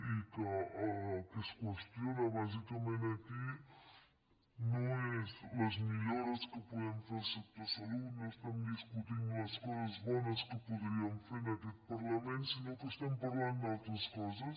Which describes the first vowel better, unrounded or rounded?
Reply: unrounded